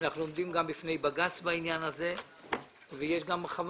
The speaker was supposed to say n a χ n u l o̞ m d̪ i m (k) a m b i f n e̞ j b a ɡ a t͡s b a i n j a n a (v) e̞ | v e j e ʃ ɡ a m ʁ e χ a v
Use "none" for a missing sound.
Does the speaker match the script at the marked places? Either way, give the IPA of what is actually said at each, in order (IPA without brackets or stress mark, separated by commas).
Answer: ɡ, z